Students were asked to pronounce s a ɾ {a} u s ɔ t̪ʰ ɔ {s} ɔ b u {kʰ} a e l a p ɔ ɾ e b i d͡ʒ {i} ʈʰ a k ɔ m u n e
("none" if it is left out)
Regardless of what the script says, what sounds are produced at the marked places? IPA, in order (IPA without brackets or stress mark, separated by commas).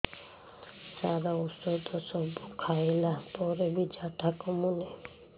a, s, kʰ, a